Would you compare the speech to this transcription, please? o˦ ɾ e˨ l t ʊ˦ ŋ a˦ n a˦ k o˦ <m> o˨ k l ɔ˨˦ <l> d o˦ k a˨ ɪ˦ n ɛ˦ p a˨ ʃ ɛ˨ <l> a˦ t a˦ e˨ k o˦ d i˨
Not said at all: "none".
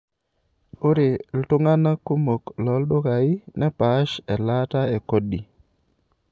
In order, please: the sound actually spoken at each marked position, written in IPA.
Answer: m, l, l

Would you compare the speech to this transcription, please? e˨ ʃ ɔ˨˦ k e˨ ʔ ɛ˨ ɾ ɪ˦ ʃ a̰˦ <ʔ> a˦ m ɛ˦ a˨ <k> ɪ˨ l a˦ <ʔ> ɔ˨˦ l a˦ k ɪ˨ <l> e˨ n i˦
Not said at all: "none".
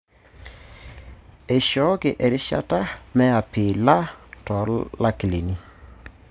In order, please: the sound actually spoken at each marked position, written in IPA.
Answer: t, p, t, l

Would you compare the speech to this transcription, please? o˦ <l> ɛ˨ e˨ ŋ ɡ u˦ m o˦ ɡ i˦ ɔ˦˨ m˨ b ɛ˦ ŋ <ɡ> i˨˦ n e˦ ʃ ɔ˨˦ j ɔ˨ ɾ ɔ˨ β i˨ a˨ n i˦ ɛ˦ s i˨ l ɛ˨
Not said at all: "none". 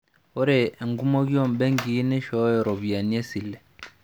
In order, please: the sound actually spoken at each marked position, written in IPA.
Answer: ɾ, ɡ

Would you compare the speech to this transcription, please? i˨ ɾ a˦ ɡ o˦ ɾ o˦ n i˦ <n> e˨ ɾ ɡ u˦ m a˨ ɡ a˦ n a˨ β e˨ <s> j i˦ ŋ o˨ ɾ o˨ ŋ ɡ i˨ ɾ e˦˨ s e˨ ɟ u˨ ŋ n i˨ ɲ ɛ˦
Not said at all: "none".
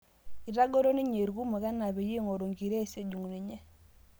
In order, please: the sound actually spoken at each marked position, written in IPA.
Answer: ɲ, none

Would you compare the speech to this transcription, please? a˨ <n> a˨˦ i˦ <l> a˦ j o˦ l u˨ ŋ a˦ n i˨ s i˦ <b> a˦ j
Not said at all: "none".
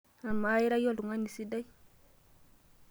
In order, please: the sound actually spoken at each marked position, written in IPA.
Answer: m, ɾ, d

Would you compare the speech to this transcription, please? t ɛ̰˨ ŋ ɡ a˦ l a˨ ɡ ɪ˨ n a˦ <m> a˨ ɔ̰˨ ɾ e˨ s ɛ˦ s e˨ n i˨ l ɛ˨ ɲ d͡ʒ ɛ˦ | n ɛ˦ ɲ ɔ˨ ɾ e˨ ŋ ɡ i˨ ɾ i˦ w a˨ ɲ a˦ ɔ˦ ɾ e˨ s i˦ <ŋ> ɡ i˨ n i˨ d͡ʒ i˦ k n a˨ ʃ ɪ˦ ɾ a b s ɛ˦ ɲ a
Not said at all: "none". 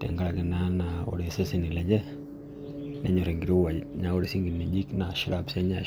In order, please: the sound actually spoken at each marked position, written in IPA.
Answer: n, ŋ

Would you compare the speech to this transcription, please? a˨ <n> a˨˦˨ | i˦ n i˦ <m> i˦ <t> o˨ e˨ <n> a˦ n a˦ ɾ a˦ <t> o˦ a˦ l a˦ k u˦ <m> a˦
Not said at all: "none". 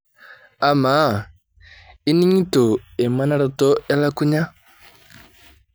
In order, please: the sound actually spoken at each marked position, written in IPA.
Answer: m, ɲ, t, m, t, ɲ

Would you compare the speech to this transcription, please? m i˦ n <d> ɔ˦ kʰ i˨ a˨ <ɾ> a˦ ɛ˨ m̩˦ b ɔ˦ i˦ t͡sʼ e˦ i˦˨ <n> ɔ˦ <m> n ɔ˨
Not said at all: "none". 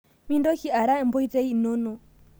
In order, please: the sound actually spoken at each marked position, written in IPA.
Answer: d, ɾ, n, none

